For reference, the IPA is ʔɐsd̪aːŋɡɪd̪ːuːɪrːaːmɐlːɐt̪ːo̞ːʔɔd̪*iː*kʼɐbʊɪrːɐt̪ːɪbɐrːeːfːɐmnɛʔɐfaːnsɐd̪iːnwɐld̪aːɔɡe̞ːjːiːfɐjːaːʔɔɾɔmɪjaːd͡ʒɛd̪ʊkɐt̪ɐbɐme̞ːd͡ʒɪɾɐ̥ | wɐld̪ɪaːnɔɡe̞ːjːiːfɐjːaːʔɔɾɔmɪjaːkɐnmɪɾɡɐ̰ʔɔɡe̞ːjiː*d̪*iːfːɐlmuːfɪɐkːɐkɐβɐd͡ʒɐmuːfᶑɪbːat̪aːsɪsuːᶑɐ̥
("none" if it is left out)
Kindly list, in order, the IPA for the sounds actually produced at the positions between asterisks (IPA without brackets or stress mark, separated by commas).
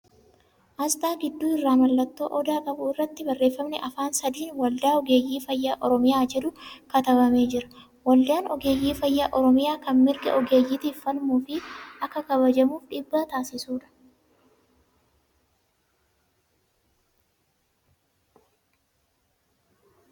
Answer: aː, t̪